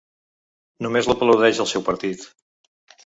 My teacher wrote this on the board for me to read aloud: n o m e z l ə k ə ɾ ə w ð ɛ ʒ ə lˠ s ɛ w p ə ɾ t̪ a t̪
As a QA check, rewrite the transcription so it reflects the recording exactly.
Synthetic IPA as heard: n u m e z l ə p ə l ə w ð ɛ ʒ ə lˠ s ɛ w p ə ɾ t̪ i t̪